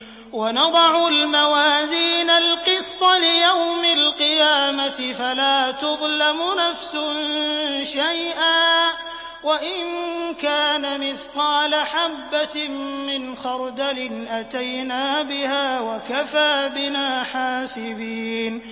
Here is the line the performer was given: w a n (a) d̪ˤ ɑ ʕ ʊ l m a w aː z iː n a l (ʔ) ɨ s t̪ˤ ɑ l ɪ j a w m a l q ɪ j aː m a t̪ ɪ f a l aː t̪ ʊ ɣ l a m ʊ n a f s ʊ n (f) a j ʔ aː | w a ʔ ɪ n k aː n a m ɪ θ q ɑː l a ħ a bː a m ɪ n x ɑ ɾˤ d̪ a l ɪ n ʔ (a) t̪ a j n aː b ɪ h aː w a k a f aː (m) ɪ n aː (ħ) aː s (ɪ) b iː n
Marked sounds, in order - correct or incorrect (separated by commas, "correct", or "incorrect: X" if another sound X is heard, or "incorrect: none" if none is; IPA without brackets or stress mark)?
incorrect: ɑ, incorrect: q, incorrect: ʃ, correct, incorrect: b, correct, correct